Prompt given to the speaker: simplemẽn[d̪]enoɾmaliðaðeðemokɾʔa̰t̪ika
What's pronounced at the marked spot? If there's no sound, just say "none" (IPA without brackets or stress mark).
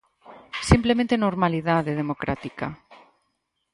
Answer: t̪